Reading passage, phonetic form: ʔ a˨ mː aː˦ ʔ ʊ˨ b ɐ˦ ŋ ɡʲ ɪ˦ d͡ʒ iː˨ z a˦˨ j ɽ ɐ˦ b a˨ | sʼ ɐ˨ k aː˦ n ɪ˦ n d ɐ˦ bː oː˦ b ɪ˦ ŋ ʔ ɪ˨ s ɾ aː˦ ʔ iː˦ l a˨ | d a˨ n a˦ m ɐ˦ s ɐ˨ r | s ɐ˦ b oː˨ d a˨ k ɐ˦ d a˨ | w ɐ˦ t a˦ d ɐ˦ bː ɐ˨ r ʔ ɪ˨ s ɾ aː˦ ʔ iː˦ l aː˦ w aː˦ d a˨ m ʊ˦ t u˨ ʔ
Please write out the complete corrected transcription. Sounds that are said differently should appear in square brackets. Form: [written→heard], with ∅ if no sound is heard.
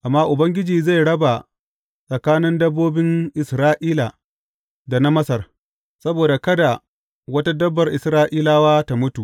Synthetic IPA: ʔ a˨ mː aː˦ ʔ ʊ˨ b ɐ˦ ŋ ɡʲ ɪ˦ d͡ʒ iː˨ z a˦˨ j ɽ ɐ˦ b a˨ | sʼ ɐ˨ k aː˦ n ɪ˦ n d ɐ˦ bː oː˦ b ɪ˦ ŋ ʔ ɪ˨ s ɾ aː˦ ʔ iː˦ l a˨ | d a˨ n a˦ m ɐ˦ s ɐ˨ r | s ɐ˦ b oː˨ d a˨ k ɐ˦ d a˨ | w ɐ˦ t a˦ d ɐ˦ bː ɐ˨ r ʔ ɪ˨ s ɾ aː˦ ʔ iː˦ l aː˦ w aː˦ [d→t] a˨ m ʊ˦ t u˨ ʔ